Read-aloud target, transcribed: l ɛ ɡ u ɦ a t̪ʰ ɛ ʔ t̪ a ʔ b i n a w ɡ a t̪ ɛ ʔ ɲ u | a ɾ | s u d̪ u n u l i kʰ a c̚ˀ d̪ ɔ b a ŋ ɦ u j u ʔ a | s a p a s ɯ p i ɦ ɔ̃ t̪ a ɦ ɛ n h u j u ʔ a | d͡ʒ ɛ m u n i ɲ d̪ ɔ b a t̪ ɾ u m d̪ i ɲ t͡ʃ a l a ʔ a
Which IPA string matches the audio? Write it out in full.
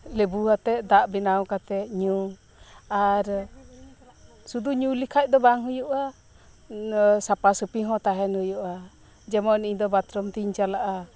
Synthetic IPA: l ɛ b u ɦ a t̪ ɛ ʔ d̪ a ʔ b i n a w k a t̪ ɛ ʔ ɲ u | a ɾ | s u d̪ u ɲ u l i kʰ a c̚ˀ d̪ ɔ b a ŋ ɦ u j u ʔ a | s a p a s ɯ p i ɦ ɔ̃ t̪ a ɦ ɛ n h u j u ʔ a | d͡ʒ ɛ m ɔ n i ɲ d̪ ɔ b a t̪ ɾ ɔ m t̪ i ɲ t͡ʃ a l a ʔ a